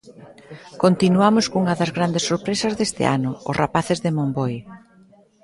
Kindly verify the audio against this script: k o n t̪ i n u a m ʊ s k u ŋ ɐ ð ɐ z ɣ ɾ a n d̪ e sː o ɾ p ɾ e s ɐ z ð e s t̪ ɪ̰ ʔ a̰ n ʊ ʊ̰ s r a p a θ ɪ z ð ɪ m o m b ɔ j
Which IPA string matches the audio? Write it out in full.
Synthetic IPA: k o n t̪ i n u a m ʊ s k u ŋ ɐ ð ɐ z ɣ ɾ a n d̪ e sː o ɾ p ɾ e s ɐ z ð e s t̪ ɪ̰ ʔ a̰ n ʊ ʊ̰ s r a p a θ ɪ z ð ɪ m o m b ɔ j